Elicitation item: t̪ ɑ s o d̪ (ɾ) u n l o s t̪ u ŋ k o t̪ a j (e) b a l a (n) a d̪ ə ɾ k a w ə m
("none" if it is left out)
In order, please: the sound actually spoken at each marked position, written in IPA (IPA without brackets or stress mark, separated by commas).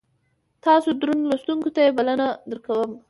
ɾ, e, n